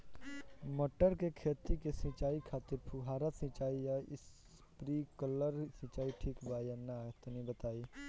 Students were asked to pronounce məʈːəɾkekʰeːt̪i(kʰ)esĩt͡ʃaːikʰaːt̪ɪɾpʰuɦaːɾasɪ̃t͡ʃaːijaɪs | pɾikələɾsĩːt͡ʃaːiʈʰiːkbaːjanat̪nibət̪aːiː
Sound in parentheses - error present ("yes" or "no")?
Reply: yes